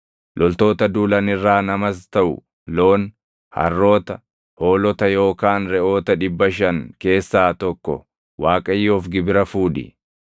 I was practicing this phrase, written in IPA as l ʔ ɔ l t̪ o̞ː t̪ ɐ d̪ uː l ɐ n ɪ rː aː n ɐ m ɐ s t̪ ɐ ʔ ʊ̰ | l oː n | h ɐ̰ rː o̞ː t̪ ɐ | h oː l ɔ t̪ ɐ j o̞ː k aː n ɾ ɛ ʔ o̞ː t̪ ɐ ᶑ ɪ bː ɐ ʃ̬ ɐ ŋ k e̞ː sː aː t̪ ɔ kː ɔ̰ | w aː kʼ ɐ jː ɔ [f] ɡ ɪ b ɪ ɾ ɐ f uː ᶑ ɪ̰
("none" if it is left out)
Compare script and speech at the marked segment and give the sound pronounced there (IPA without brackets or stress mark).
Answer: f